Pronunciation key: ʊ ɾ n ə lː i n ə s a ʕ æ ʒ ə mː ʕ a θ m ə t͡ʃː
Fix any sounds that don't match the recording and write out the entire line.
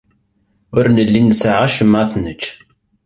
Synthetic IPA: ʊ ɾ n ə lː i n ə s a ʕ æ ʃ ə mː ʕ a θ n ə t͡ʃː